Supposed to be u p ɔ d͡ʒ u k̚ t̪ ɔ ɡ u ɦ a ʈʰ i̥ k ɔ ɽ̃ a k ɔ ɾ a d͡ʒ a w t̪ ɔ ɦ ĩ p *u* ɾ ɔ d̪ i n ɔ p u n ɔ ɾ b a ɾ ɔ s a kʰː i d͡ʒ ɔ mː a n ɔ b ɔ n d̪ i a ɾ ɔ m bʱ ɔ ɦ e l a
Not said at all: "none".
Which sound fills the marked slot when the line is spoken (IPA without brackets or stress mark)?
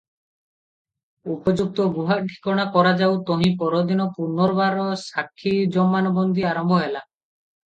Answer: ɔ